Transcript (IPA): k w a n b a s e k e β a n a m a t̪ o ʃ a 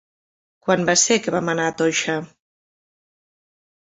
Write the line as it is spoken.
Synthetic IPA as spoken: k w a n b a s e k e β a m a n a t̪ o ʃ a